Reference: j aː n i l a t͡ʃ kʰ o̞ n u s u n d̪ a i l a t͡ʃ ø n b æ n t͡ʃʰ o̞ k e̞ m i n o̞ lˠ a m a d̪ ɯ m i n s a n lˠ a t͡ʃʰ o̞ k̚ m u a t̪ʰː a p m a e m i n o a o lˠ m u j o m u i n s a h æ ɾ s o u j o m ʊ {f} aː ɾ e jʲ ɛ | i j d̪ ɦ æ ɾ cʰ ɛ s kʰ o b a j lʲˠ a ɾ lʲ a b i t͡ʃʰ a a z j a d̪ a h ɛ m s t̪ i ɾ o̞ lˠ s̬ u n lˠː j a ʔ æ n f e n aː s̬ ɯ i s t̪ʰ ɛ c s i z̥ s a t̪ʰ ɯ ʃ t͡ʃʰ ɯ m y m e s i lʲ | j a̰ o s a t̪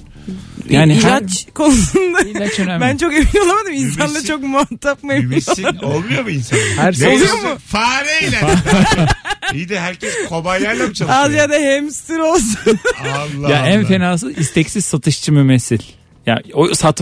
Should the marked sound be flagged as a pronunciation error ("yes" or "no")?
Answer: no